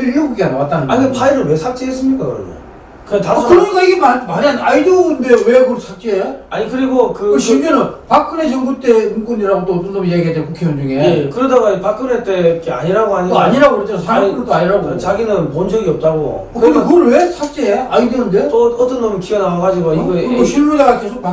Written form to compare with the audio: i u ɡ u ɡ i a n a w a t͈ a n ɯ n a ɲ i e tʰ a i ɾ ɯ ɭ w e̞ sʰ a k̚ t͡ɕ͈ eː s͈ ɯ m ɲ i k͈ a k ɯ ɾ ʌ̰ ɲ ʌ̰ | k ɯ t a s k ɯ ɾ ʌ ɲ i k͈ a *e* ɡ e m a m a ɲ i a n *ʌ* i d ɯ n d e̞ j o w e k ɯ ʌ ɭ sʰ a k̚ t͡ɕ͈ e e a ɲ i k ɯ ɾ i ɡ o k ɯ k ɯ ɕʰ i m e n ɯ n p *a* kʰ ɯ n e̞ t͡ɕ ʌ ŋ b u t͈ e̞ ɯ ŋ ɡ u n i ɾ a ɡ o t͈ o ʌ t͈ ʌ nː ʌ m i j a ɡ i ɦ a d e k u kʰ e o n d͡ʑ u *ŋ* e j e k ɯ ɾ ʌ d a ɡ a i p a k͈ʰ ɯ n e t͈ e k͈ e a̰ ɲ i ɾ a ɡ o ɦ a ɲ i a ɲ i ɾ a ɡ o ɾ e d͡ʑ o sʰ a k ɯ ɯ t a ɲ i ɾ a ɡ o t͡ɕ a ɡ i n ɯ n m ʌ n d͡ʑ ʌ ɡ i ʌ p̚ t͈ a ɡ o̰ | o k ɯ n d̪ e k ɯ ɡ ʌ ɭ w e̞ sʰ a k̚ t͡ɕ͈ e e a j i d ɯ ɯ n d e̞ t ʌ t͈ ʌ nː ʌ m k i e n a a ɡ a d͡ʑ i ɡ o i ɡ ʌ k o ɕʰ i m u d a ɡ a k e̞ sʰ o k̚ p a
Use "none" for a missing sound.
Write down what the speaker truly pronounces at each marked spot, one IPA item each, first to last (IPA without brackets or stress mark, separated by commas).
i, a, a, ŋ